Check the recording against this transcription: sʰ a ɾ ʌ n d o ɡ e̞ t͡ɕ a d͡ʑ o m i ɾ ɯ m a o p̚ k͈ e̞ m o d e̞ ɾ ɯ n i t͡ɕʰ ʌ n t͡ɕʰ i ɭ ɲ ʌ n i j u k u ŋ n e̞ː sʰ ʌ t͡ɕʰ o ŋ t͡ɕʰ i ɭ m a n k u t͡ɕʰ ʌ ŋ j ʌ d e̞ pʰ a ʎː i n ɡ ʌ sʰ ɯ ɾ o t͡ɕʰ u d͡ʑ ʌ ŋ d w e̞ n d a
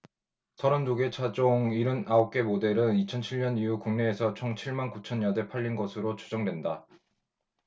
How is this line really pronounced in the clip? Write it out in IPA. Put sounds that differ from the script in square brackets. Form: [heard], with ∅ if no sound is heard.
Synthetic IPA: sʰ [ʌ] ɾ ʌ n d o ɡ e̞ [t͡ɕʰ] a d͡ʑ o [ŋ] i ɾ ɯ [n] a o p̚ k͈ e̞ m o d e̞ ɾ ɯ n i t͡ɕʰ ʌ n t͡ɕʰ i ɭ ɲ ʌ n i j u k u ŋ n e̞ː sʰ ʌ t͡ɕʰ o ŋ t͡ɕʰ i ɭ m a n k u t͡ɕʰ ʌ [n] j ʌ d e̞ pʰ a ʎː i n ɡ ʌ sʰ ɯ ɾ o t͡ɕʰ u d͡ʑ ʌ ŋ d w e̞ n d a